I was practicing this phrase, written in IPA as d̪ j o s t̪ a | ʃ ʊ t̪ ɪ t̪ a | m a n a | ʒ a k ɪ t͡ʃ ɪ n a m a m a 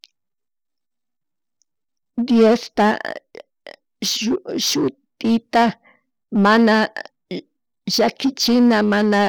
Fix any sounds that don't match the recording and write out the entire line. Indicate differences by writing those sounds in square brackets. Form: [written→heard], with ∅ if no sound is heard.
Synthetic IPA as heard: d̪ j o s t̪ a | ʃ ʊ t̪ ɪ t̪ a | m a n a | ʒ a k ɪ t͡ʃ ɪ n a m a [m→n] a